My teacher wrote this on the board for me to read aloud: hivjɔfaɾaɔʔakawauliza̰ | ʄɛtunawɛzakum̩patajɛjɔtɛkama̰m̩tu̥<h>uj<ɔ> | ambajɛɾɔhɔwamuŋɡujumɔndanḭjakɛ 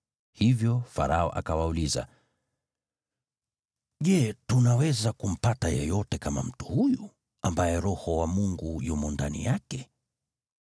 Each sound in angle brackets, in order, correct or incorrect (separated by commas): correct, incorrect